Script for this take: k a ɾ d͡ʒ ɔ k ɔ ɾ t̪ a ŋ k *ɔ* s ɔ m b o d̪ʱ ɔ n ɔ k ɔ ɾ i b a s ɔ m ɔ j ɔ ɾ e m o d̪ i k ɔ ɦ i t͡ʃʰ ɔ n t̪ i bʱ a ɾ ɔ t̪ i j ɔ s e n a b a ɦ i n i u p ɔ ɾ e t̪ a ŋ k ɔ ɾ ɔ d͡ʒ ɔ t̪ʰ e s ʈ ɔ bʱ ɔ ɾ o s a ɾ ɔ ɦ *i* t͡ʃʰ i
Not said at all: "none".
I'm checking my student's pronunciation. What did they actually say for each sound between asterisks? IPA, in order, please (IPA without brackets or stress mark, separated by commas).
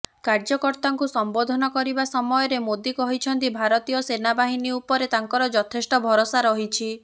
u, i